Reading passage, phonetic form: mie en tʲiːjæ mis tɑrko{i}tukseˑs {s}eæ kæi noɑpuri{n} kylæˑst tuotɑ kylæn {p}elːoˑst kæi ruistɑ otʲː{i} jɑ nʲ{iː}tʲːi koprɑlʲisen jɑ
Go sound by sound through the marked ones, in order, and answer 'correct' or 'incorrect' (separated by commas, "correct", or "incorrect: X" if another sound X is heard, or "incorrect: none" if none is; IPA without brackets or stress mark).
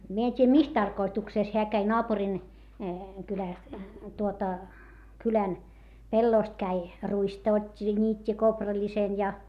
correct, incorrect: h, correct, correct, correct, correct